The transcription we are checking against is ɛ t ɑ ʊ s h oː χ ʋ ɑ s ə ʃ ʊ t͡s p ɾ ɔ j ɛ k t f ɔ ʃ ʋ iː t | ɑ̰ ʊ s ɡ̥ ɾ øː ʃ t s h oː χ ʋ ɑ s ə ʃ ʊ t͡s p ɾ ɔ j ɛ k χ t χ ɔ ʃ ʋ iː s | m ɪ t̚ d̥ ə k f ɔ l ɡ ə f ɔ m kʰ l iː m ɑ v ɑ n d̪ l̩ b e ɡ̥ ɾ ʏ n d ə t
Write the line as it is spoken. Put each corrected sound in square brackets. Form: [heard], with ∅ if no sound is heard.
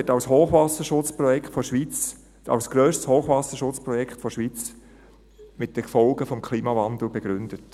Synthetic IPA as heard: ɛ t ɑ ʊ s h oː χ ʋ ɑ s ə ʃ ʊ t͡s p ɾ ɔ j ɛ k t f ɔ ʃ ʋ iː [t͡s] | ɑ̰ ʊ s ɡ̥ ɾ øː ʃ t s h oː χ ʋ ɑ s ə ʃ ʊ t͡s p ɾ ɔ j ɛ k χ t [f] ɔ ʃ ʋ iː [t͡s] | m ɪ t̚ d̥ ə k f ɔ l ɡ ə f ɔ m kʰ l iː m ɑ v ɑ n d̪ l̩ b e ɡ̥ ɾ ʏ n d ə t